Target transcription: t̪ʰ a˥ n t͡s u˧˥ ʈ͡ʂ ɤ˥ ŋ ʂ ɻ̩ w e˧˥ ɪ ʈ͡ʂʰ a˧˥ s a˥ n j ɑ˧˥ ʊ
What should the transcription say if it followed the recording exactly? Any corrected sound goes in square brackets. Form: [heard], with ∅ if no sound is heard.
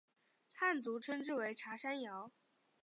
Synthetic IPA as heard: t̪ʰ [a˥˩] n t͡s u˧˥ [ʈ͡ʂʰ] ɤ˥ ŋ [ʈ͡ʂ] ɻ̩ w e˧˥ ɪ ʈ͡ʂʰ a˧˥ [ʂ] a˥ n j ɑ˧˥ ʊ